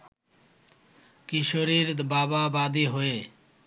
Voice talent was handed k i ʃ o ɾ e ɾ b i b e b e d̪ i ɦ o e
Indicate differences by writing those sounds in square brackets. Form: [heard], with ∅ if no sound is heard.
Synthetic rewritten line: k i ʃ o ɾ [i] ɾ b [a] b [a] b [a] d̪ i ɦ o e